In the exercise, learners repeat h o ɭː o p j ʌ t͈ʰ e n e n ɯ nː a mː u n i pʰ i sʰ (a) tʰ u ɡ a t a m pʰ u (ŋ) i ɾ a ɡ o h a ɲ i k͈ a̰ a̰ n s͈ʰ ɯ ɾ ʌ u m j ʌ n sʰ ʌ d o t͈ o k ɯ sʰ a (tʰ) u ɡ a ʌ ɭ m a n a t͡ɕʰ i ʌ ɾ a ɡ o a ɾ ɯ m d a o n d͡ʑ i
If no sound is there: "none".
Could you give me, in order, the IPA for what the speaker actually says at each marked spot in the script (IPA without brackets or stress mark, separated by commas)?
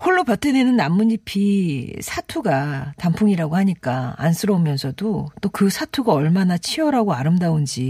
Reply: a, ŋ, tʰ